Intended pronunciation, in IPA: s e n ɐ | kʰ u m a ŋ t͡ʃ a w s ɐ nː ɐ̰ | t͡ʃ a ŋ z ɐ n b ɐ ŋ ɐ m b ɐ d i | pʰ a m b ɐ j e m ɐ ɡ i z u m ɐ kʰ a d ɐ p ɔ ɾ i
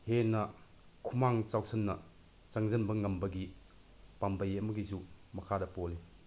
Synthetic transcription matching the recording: h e n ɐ | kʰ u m a ŋ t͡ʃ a w s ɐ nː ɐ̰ | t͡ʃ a ŋ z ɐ n b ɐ ŋ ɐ m b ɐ ɡ i | p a m b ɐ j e m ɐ ɡ i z u m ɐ kʰ a d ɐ p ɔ l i